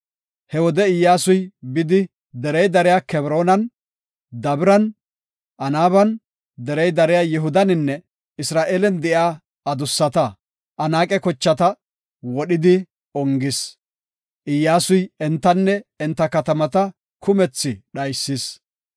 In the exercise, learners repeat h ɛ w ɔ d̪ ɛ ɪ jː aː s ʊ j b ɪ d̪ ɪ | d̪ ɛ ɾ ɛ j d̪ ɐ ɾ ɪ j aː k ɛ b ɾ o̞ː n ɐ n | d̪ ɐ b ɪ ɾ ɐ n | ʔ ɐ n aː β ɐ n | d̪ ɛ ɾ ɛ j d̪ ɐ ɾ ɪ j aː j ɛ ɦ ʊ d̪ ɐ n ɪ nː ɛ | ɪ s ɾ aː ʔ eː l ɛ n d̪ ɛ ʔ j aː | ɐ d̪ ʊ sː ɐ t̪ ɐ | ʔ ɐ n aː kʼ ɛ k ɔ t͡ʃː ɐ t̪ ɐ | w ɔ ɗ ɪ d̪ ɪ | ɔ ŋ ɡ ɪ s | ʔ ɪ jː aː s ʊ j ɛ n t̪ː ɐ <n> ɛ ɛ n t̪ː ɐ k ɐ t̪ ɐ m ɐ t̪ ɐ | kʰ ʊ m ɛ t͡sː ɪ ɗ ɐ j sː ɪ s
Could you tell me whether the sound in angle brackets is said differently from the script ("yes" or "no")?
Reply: yes